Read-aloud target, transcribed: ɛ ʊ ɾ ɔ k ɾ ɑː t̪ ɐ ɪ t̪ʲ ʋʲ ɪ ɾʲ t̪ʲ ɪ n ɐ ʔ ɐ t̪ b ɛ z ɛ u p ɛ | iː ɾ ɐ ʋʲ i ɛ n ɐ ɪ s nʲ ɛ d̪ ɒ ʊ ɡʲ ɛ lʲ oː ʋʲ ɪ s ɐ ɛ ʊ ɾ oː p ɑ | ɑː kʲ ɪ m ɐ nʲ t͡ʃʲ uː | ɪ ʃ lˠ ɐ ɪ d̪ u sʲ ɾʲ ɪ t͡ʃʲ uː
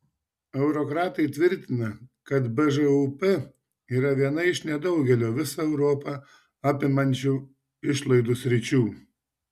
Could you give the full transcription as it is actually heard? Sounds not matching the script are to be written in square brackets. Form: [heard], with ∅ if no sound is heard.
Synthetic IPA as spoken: ɛ ʊ ɾ ɔ k ɾ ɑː t̪ ɐ ɪ t̪ʲ ʋʲ ɪ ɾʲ t̪ʲ ɪ n ɐ [k] ɐ t̪ b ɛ [ʒ] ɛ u p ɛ | iː ɾ ɐ ʋʲ i ɛ n ɐ ɪ [ʃ] nʲ ɛ d̪ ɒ ʊ ɡʲ ɛ lʲ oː ʋʲ ɪ s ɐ ɛ ʊ ɾ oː p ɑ | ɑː [pʲ] ɪ m ɐ nʲ t͡ʃʲ uː | ɪ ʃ lˠ ɐ ɪ d̪ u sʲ ɾʲ ɪ t͡ʃʲ uː